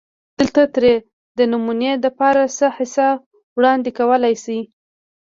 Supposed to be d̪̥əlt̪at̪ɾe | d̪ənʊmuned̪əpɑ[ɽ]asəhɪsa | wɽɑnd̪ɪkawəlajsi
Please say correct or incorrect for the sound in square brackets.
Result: incorrect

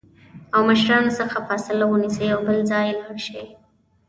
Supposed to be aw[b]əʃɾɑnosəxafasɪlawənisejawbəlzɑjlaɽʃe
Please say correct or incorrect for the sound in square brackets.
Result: incorrect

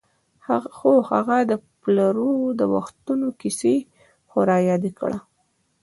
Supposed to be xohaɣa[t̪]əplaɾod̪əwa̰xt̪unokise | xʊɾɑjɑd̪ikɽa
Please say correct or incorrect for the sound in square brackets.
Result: incorrect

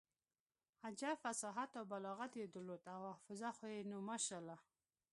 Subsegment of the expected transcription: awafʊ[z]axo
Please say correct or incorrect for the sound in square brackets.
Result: correct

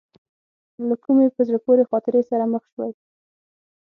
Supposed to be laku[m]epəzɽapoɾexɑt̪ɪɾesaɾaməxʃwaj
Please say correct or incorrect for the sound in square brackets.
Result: correct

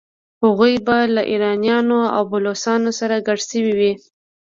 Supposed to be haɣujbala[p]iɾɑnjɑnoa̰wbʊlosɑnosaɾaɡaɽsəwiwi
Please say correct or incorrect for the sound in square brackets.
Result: incorrect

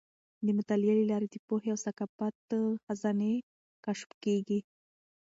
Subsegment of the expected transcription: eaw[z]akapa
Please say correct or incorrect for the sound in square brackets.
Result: incorrect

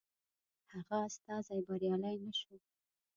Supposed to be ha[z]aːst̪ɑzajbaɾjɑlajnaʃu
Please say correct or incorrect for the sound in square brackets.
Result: incorrect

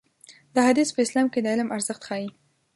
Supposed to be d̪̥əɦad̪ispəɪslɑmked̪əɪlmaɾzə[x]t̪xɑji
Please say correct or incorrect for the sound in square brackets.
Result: correct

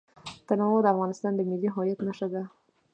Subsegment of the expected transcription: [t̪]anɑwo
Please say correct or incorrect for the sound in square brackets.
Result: correct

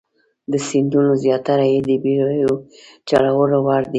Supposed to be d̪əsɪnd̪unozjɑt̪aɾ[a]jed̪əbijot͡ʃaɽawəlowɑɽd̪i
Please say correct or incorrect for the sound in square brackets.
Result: correct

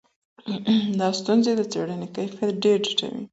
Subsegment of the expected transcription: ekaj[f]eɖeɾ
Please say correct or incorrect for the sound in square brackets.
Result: correct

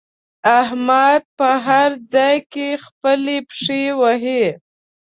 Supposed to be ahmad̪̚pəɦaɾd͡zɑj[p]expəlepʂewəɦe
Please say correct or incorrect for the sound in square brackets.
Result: incorrect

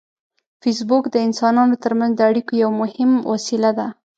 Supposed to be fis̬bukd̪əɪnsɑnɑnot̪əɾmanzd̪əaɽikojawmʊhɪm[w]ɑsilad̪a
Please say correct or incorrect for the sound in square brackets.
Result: correct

